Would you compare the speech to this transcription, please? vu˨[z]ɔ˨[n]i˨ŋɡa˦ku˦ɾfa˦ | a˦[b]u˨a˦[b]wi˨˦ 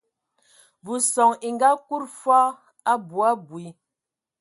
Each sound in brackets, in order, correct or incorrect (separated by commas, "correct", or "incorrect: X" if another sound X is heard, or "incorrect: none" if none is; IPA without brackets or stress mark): incorrect: s, incorrect: ŋ, correct, correct